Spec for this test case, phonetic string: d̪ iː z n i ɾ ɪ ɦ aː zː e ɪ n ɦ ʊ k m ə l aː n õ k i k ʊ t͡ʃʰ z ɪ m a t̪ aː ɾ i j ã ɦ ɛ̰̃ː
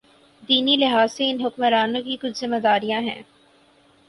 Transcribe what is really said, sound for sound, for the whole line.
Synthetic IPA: d̪ iː n i l ɪ ɦ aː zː e ɪ n ɦ ʊ k m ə ɾ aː n õ k i k ʊ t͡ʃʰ z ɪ m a d̪ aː ɾ i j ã ɦ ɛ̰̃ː